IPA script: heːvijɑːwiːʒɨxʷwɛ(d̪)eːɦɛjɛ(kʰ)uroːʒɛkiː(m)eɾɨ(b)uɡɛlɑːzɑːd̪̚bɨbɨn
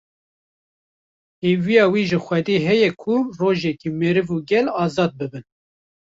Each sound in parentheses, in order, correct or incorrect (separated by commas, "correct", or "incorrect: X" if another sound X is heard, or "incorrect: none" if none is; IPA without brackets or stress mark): correct, correct, correct, incorrect: v